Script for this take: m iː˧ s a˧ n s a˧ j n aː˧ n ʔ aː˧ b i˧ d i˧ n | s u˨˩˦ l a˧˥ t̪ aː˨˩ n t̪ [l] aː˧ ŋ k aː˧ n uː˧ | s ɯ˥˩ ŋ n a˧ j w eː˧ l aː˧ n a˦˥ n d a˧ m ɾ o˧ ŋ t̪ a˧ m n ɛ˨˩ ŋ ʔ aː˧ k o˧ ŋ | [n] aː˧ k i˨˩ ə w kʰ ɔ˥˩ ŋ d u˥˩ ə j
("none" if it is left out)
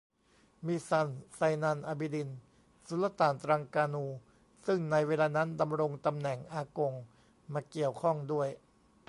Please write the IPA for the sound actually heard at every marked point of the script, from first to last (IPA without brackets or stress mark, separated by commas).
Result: ɾ, m